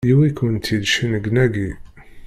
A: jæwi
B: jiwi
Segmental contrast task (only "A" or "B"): B